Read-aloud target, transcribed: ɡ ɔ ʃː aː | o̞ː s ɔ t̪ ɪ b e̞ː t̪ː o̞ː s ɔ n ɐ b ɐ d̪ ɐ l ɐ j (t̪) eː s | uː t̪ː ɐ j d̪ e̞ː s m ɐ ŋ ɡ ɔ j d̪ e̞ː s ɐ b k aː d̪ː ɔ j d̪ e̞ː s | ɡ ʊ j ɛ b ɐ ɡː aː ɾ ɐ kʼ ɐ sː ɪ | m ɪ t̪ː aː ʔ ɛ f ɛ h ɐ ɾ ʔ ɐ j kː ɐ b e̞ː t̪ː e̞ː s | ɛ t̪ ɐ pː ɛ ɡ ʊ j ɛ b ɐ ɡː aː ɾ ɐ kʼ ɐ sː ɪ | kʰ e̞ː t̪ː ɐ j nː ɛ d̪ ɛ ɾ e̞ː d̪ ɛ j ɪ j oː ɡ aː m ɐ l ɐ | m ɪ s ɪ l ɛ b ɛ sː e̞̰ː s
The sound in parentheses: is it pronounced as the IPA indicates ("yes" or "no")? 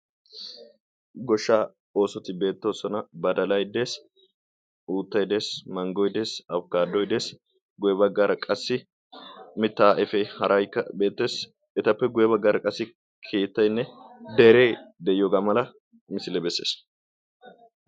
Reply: no